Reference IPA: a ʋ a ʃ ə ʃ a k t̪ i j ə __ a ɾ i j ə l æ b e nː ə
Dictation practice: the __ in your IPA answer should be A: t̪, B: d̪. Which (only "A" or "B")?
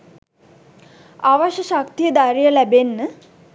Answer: B